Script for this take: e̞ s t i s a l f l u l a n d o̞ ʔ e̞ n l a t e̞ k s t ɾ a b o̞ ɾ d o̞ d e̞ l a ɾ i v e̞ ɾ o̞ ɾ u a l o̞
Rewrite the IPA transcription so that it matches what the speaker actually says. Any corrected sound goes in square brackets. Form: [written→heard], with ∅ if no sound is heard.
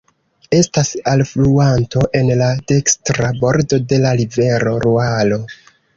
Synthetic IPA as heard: e̞ s t [i→a] s a l f l u [l→∅] a n [d→t] o̞ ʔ e̞ n l a [t→d] e̞ k s t ɾ a b o̞ ɾ d o̞ d e̞ l a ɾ i v e̞ ɾ o̞ ɾ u a l o̞